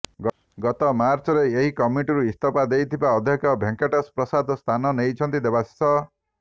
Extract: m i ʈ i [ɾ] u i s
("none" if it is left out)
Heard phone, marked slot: ɾ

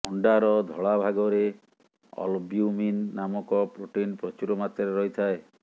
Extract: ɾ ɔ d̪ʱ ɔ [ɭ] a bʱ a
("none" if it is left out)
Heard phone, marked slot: ɭ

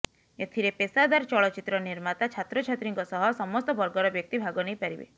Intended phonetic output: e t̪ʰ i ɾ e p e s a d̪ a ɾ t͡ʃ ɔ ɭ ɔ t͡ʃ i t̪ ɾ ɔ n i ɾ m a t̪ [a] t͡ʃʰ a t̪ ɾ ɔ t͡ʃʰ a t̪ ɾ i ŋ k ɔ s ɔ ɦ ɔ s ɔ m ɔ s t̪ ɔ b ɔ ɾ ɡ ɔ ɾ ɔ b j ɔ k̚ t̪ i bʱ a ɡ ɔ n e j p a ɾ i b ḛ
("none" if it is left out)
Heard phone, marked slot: a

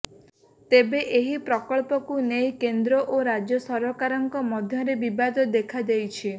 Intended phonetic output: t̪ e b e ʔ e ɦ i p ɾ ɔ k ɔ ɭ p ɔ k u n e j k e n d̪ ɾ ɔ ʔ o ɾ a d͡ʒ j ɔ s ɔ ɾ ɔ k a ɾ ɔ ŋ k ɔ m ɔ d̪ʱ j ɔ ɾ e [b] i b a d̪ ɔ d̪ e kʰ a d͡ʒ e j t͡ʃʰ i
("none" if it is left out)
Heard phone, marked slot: b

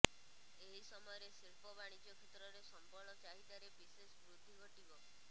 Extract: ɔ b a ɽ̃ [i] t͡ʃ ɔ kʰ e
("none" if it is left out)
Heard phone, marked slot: i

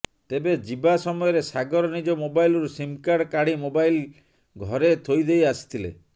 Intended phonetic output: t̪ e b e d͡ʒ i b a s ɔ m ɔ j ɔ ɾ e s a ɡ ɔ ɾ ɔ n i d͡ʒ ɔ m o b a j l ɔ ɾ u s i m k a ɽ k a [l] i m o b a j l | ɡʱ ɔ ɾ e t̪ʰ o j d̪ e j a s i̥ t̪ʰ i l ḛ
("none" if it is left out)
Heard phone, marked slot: ɽ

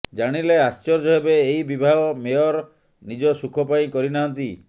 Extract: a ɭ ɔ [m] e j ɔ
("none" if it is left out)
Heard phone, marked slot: m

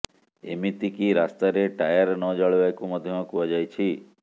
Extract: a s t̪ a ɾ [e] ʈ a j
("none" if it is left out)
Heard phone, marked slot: e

